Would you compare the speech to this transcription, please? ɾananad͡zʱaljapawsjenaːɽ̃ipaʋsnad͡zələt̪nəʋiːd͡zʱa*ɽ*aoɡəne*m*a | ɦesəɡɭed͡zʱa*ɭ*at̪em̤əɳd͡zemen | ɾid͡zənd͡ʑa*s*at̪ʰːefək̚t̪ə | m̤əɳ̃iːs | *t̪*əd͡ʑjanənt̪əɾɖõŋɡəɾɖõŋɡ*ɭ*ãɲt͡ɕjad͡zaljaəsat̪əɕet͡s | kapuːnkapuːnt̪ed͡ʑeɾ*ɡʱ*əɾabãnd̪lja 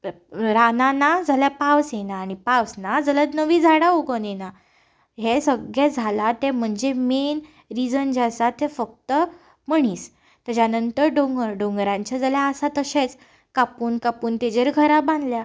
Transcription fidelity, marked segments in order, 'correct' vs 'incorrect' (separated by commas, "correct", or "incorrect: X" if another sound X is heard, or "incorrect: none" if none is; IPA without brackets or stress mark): correct, incorrect: n, incorrect: l, correct, correct, incorrect: ɾ, correct